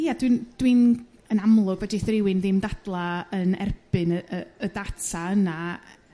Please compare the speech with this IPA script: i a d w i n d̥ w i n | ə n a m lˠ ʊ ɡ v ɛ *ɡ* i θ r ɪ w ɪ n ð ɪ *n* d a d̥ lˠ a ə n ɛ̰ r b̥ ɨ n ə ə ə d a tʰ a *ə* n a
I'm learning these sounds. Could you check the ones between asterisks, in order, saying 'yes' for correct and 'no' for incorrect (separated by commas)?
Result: no, no, yes